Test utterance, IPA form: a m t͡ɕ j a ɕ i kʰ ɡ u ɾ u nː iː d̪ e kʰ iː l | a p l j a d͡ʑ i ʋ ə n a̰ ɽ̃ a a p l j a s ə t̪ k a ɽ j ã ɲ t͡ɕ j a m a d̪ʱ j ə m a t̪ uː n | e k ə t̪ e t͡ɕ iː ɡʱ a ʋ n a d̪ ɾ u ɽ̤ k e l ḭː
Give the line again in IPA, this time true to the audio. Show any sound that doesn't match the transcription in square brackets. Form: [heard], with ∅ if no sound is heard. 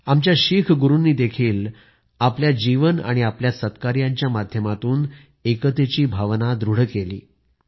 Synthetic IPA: a m t͡ɕ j a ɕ i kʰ ɡ u ɾ u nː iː d̪ e kʰ iː l | a p l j a d͡ʑ i ʋ ə n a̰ ɽ̃ [i] a p l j a s ə t̪ k a [ɾ] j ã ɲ t͡ɕ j a m a d̪ʱ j ə m a t̪ uː n | e k ə t̪ e t͡ɕ iː [bʱ] a ʋ n a d̪ ɾ u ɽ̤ k e l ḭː